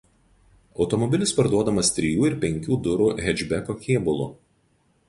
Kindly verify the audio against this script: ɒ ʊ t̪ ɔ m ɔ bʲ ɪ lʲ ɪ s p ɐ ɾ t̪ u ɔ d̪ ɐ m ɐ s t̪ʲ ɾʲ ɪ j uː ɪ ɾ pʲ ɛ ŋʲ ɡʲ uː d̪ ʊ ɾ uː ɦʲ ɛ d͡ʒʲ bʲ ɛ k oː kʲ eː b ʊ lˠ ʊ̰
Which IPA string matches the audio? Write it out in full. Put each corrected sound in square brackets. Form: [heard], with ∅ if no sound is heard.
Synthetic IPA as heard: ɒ ʊ t̪ ɔ m ɔ bʲ ɪ lʲ ɪ s p ɐ ɾ [d̪] u ɔ d̪ ɐ m ɐ s t̪ʲ ɾʲ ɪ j uː ɪ ɾ pʲ ɛ ŋʲ [kʲ] uː d̪ ʊ ɾ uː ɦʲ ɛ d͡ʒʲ bʲ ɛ k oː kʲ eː b ʊ lˠ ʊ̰